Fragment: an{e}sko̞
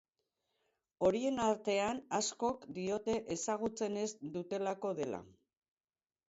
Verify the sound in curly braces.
incorrect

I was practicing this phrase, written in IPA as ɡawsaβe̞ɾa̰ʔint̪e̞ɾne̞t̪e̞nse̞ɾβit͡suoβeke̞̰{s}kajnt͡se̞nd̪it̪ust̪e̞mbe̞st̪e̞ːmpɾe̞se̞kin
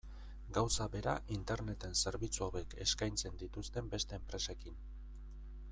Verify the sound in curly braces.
correct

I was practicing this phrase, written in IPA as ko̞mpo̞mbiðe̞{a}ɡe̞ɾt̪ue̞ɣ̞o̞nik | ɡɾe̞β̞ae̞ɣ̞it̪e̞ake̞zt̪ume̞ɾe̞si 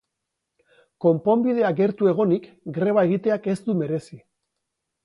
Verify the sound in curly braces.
correct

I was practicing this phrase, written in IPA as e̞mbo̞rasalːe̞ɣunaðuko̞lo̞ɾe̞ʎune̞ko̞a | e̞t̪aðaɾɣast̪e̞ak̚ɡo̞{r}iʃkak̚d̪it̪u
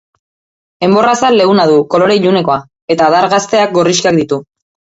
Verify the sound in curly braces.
correct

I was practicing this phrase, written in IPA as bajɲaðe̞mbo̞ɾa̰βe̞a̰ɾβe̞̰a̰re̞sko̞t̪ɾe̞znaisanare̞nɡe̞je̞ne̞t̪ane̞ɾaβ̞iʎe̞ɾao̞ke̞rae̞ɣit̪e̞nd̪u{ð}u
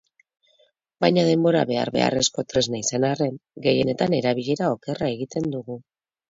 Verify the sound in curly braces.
incorrect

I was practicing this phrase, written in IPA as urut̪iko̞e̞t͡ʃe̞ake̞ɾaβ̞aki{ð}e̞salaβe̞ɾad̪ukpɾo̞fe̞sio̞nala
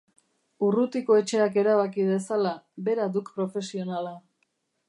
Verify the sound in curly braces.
correct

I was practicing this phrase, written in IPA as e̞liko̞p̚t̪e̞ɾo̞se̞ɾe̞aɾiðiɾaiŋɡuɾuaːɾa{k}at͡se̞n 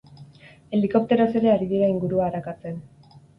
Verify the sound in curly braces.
correct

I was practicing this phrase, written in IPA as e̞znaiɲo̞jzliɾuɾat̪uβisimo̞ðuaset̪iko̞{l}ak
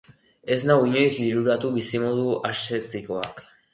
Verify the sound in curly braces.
incorrect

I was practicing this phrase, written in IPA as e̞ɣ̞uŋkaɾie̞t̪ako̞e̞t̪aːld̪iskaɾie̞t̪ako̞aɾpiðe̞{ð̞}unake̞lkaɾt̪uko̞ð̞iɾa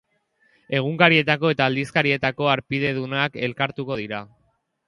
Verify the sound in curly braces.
correct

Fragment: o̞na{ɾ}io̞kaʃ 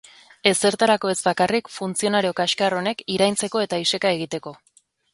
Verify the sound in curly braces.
correct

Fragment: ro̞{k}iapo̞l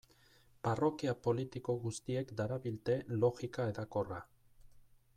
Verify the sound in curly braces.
correct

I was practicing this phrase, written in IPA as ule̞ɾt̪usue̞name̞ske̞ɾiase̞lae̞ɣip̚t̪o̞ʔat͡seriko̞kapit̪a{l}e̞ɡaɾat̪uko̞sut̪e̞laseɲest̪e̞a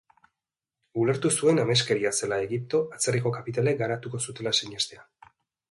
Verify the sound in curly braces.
correct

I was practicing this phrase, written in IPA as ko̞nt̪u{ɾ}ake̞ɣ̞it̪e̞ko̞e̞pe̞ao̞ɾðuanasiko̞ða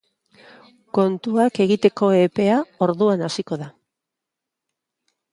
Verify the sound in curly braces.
incorrect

